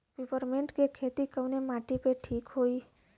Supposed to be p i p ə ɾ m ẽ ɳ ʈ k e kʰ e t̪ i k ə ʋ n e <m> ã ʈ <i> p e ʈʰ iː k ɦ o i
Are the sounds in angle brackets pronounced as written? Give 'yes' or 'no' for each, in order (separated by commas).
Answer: yes, yes